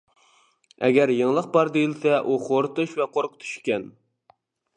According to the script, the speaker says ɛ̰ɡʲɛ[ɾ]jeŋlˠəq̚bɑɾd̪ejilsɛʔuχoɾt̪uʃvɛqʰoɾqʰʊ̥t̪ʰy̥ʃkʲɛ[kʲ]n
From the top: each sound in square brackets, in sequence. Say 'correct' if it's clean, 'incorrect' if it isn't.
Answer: correct, incorrect

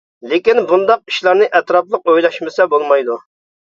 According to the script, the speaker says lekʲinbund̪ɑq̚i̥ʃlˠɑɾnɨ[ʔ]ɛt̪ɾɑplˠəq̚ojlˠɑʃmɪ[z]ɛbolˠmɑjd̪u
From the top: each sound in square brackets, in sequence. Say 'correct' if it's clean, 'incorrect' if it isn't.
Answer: correct, incorrect

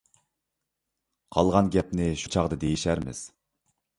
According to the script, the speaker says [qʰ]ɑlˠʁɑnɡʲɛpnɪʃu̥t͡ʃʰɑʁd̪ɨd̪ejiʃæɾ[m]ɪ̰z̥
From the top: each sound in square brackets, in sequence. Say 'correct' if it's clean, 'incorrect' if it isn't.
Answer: correct, correct

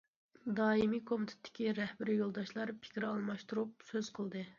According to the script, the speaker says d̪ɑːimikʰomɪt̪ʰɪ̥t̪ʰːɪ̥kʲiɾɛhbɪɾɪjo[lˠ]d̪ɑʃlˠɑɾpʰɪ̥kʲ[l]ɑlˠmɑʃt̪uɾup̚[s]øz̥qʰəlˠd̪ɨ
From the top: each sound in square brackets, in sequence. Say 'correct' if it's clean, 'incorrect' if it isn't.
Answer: correct, incorrect, correct

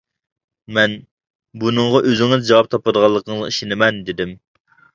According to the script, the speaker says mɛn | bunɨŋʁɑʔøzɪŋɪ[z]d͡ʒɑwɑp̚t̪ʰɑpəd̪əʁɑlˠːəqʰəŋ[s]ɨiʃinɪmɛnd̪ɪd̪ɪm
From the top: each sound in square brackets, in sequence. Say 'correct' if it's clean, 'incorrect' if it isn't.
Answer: correct, incorrect

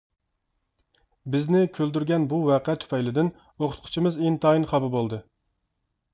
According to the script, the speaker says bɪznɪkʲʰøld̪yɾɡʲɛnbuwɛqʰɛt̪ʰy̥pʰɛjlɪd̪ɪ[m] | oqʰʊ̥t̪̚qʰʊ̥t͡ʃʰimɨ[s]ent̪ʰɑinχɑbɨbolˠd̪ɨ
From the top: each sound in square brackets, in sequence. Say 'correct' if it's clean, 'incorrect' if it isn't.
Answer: incorrect, incorrect

